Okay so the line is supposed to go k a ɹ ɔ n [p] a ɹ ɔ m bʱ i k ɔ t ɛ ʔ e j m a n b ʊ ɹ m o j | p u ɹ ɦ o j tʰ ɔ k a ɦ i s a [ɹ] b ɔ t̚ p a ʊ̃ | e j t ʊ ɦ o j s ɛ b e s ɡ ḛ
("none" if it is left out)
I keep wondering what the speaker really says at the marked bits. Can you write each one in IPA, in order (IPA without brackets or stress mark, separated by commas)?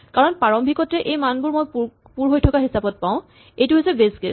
p, none